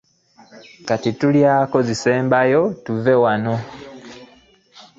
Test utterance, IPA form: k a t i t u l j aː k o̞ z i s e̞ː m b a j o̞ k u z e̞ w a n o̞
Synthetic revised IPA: k a t i t u l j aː k o̞ z i s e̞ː m b a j o̞ t u v e̞ w a n o̞